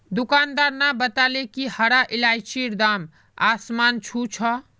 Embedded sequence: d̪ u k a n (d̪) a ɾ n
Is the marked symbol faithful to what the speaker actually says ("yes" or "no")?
yes